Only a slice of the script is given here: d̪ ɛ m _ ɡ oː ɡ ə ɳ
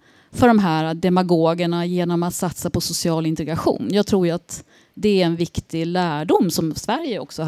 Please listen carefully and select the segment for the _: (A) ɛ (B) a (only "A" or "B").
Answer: B